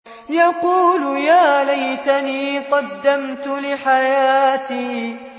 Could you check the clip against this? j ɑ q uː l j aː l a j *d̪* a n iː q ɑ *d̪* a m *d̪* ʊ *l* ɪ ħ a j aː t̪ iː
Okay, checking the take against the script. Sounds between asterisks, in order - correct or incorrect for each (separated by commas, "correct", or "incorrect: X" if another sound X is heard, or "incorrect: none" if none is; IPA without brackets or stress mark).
incorrect: t̪, incorrect: d̪ː, incorrect: t̪, correct